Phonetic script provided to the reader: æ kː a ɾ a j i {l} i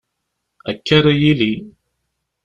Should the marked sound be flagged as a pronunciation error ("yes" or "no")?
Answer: no